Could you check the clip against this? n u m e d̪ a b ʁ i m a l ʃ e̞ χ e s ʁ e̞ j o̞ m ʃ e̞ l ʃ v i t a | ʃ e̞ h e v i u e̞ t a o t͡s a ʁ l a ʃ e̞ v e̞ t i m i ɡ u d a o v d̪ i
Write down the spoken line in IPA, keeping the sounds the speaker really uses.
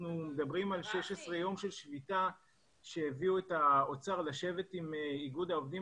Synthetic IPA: n u m e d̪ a b ʁ i m a l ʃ e̞ ʃ e s ʁ e̞ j o̞ m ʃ e̞ l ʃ v i t a | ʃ e̞ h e v i u e̞ t a o t͡s a ʁ l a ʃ e̞ v e̞ t i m i ɡ u d a o v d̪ i